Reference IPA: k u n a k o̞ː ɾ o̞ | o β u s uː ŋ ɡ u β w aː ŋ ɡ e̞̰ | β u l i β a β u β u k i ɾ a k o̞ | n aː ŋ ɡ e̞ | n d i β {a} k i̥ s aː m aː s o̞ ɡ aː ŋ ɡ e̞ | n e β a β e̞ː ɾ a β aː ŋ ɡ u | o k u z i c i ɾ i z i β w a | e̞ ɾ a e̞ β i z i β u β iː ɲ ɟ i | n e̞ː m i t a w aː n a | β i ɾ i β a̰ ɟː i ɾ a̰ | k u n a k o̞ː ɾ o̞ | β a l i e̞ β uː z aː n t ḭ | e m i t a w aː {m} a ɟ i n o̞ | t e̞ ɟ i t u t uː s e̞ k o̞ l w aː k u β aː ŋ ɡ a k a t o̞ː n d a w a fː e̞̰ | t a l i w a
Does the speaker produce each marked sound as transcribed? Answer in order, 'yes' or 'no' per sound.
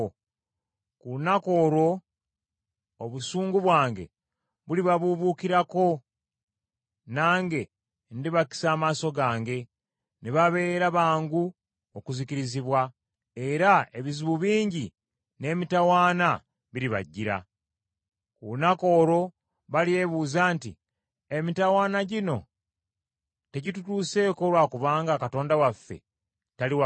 yes, no

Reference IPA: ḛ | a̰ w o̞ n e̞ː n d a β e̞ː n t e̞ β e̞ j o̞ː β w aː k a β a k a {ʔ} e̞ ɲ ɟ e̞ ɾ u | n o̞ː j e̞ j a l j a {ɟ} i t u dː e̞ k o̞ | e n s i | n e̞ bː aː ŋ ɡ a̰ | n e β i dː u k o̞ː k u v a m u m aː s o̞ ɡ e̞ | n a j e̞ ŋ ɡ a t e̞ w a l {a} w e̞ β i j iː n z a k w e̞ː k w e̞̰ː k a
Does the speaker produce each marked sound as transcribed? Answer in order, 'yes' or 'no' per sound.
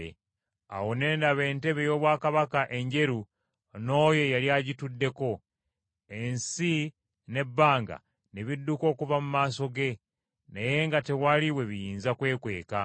yes, yes, no

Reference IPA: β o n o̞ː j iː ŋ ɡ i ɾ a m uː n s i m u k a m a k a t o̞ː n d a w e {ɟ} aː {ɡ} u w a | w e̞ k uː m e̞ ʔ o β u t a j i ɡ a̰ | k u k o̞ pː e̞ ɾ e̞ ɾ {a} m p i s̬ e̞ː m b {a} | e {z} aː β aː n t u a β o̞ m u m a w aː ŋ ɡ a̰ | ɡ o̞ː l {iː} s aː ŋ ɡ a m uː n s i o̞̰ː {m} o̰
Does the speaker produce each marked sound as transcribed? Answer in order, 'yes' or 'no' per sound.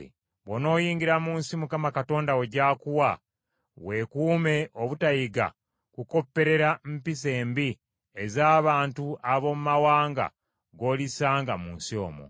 yes, no, yes, no, yes, no, yes

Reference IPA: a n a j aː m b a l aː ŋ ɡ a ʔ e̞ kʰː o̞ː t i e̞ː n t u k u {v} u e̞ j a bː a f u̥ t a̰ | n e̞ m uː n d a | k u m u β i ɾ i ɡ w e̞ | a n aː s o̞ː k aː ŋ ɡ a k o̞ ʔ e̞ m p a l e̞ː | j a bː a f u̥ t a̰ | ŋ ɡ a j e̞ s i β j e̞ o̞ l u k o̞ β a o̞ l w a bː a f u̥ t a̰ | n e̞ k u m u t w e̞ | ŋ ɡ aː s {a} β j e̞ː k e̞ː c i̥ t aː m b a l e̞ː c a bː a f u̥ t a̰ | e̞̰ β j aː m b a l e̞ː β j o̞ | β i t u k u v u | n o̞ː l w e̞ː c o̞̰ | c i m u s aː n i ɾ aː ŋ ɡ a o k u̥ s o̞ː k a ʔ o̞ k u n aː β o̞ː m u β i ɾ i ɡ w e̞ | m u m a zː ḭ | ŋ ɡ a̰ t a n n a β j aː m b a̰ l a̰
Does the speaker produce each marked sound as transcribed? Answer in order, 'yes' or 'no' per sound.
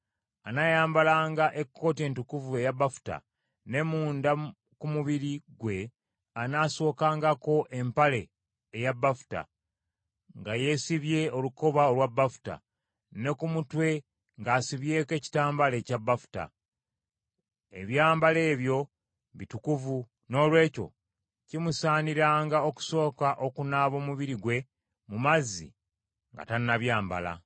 yes, no

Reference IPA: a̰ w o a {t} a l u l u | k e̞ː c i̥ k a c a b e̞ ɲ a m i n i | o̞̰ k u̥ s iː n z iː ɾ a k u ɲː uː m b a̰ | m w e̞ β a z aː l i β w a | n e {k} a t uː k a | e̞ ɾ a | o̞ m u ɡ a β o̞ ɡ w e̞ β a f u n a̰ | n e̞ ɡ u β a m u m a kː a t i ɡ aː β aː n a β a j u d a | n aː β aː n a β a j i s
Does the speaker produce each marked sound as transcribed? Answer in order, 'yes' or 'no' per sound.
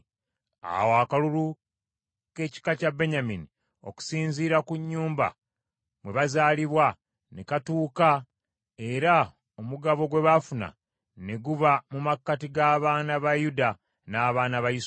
no, yes

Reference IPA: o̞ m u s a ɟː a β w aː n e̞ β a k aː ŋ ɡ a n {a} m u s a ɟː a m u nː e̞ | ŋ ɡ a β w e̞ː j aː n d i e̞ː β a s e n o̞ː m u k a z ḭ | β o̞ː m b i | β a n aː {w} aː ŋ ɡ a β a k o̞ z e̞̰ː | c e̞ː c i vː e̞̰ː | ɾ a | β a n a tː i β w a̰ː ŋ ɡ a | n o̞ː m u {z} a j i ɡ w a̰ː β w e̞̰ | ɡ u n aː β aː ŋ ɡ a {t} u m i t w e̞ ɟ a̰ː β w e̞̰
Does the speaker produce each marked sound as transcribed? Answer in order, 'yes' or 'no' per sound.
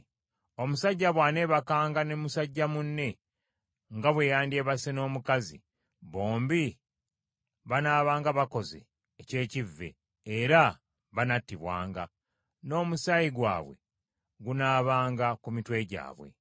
no, no, no, no

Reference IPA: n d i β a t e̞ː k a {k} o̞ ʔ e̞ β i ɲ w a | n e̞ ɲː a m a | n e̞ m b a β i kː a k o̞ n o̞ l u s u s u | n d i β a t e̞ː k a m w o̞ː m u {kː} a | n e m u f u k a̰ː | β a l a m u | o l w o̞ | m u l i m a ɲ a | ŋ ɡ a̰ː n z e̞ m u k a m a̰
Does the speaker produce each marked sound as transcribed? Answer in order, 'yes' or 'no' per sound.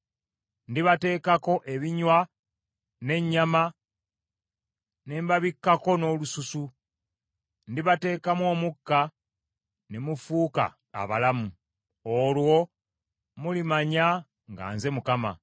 yes, yes

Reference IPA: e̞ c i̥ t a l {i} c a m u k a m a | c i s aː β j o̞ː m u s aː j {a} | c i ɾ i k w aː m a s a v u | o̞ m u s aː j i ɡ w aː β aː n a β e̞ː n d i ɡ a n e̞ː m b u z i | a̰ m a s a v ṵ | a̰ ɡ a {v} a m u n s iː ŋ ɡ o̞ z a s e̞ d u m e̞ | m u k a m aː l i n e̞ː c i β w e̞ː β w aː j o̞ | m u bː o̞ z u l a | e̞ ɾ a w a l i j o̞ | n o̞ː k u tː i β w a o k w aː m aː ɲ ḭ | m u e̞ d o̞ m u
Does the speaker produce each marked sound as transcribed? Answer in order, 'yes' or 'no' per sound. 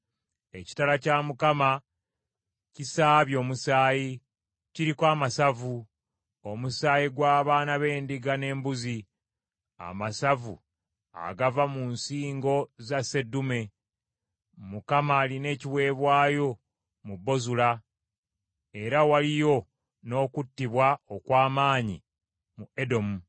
no, no, yes

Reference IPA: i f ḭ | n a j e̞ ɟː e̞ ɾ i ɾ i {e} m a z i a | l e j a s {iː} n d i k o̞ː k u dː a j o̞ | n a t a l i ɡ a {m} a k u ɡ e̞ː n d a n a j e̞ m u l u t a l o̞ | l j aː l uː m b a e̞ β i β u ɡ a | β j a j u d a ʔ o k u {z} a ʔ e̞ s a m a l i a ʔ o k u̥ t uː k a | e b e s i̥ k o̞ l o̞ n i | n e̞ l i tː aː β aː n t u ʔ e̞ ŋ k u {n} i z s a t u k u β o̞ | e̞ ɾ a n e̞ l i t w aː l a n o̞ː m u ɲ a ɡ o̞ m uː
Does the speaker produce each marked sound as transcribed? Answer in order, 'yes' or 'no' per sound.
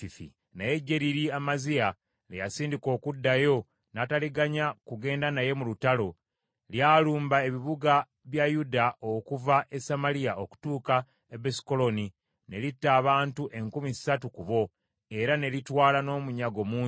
no, yes, no, no, no

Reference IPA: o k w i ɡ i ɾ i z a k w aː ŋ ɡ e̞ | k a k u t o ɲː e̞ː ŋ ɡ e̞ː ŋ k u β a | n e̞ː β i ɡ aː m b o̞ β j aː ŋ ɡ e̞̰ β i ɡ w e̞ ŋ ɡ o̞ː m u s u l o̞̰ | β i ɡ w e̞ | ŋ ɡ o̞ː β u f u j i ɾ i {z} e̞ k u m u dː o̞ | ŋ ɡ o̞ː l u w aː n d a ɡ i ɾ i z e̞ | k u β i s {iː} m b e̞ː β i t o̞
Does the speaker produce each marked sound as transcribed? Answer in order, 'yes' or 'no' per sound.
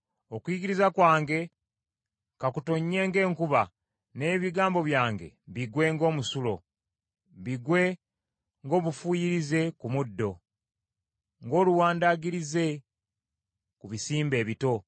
yes, yes

